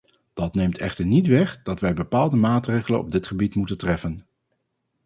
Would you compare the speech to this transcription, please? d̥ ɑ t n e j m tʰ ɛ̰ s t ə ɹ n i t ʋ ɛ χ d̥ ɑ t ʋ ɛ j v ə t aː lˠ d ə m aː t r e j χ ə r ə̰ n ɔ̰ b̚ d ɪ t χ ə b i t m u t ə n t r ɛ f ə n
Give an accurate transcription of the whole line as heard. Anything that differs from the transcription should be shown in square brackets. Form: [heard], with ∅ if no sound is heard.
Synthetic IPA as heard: d̥ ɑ t n e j m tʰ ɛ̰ [χ] t ə ɹ n i t ʋ ɛ χ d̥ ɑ t ʋ ɛ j [b] ə [p] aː lˠ d ə m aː t r e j χ ə [l] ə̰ n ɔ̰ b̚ d ɪ t χ ə b i t m u t ə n t r ɛ f ə n